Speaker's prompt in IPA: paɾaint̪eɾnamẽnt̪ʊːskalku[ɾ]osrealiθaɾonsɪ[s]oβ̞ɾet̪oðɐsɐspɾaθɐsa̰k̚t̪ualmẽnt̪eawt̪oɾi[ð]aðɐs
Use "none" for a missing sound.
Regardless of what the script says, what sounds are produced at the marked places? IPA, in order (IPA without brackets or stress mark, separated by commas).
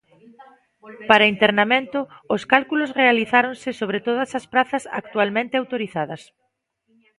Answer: l, s, θ